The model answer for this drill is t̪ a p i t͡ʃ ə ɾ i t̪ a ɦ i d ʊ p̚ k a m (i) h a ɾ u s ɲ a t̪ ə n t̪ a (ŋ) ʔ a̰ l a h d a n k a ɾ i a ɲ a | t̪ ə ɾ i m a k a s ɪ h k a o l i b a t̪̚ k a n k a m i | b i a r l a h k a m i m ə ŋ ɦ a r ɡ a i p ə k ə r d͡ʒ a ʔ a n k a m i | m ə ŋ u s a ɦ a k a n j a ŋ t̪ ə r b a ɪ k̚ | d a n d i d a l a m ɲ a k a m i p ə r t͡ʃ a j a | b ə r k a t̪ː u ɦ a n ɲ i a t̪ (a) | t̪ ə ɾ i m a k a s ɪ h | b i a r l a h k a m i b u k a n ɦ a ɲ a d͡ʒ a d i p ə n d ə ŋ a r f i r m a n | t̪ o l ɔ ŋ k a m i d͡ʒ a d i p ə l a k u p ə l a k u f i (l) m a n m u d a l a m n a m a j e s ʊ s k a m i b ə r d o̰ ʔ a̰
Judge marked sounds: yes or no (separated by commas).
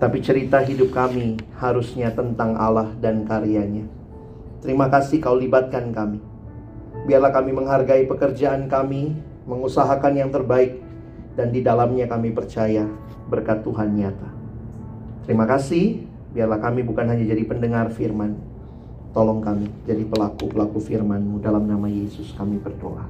yes, yes, yes, no